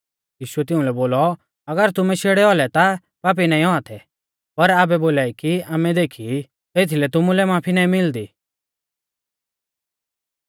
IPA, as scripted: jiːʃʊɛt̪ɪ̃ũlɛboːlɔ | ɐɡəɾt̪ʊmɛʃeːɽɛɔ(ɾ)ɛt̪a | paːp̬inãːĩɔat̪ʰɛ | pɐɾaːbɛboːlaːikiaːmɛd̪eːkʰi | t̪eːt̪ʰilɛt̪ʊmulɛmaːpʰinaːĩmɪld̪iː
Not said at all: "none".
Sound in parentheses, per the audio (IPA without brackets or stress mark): l